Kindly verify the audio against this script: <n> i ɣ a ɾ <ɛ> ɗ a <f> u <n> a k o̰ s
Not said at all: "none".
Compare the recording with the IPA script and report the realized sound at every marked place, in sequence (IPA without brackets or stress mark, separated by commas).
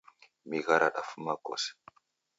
m, a, f, m